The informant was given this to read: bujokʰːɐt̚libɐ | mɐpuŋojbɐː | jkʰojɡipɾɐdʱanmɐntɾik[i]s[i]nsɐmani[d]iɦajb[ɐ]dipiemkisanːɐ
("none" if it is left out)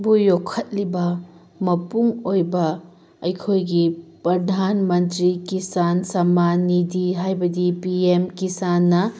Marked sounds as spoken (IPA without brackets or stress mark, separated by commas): i, a, d, ɐ